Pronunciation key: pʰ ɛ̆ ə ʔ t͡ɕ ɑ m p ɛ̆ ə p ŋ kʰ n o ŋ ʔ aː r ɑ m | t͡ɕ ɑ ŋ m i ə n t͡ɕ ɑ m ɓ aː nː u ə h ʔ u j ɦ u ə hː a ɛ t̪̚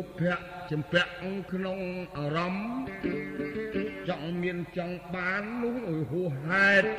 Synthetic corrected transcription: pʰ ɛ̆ ə ʔ t͡ɕ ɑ m p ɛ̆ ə ʔ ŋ kʰ n o ŋ ʔ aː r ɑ m | t͡ɕ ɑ ŋ m i ə n t͡ɕ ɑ ŋ ɓ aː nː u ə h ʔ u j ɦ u ə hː a ɛ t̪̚